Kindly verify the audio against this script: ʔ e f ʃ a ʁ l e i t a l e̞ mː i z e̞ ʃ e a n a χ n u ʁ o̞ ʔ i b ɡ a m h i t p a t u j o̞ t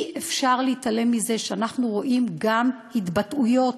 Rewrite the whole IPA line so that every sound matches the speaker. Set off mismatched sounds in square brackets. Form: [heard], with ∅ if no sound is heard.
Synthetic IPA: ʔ e f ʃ a ʁ l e i t a l e̞ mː i z e̞ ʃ e a n a χ n u ʁ o̞ ʔ i [m] ɡ a m h i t [b] a t u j o̞ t